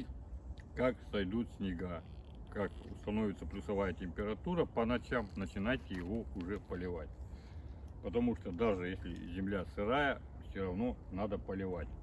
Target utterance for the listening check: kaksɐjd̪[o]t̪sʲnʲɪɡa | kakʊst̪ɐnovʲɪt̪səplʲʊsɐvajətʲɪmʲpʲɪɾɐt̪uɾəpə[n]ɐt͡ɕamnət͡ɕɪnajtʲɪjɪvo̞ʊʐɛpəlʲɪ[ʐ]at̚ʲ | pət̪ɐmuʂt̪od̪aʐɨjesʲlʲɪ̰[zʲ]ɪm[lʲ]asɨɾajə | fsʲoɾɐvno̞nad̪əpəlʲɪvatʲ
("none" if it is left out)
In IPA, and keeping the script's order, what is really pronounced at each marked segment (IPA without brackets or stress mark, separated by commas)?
u, n, v, zʲ, lʲ